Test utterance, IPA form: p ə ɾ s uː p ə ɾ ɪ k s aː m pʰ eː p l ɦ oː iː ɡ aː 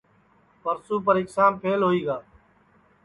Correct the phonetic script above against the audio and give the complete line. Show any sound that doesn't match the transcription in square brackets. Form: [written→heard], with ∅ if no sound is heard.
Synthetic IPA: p ə ɾ s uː p ə ɾ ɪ k s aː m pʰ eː [p→∅] l ɦ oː iː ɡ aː